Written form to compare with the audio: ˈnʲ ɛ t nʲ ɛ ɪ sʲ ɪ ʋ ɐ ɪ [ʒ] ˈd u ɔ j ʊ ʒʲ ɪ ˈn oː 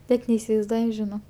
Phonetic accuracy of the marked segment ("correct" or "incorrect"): incorrect